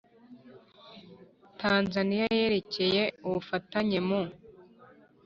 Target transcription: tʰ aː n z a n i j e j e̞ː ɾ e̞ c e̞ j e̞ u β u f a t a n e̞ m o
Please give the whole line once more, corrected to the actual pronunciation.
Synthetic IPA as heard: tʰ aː n z a n i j a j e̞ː ɾ e̞ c e̞ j e̞ u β u f a t a ɲ e̞ m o